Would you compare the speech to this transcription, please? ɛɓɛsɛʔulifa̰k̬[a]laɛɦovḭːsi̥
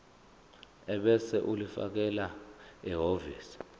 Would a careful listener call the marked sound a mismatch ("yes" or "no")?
yes